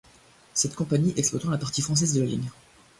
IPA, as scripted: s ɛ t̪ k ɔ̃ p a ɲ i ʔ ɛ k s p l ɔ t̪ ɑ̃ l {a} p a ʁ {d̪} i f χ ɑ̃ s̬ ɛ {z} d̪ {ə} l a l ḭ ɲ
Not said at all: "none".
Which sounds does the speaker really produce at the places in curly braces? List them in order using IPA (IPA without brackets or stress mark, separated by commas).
a, t̪, z, ə